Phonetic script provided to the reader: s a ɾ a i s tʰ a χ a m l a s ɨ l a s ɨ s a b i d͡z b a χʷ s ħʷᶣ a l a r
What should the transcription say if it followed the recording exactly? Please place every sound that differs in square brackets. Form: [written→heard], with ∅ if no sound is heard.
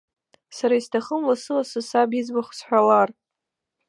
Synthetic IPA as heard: s a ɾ a i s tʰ a χ [a→ə] m l a s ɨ l a s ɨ s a b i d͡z b a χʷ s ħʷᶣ a l a r